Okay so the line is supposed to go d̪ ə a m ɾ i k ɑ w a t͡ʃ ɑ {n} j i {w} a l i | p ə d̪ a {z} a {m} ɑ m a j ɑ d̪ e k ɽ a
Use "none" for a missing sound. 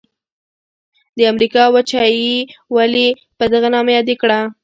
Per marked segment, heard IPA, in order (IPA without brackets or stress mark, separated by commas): none, w, ɣ, n